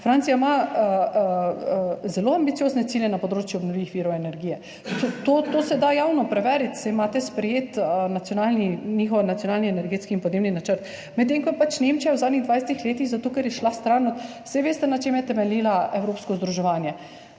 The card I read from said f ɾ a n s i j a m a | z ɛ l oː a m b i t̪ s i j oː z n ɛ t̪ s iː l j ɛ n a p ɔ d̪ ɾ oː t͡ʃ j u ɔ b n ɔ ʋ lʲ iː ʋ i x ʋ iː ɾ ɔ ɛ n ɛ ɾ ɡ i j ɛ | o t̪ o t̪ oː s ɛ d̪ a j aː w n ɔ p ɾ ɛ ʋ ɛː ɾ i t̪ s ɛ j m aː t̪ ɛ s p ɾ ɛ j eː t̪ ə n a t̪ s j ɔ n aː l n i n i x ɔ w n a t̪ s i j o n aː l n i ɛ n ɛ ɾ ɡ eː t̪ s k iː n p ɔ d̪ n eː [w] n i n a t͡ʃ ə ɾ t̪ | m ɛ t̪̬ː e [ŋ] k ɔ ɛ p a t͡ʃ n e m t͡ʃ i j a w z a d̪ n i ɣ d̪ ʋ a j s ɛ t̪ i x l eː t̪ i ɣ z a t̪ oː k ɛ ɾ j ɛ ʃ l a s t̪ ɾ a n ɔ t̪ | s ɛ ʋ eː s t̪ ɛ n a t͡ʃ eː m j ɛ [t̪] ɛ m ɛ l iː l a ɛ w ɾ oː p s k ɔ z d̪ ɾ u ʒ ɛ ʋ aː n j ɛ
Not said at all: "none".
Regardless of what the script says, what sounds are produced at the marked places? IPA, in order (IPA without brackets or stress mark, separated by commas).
b, ŋ, t̪